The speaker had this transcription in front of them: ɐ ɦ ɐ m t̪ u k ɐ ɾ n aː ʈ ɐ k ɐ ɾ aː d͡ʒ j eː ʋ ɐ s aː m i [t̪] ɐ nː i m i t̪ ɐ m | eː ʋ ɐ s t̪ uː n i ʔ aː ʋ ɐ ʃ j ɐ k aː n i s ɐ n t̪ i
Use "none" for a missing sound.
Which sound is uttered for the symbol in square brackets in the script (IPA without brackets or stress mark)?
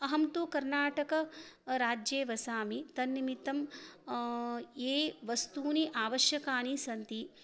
t̪